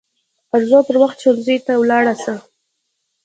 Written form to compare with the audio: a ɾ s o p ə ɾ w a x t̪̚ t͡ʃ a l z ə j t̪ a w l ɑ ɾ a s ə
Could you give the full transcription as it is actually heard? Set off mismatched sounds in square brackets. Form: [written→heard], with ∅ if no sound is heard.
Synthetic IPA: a ɾ [s→z] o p ə ɾ w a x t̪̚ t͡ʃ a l z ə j t̪ a w l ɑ [ɾ→ɽ] a s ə